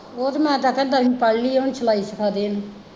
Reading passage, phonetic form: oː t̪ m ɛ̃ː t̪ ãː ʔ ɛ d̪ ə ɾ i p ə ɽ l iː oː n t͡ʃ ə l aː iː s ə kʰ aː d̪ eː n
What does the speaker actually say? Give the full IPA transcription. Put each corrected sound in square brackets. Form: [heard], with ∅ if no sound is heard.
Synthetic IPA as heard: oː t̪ m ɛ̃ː t̪ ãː [k] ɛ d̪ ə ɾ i p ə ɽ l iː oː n t͡ʃ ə l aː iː s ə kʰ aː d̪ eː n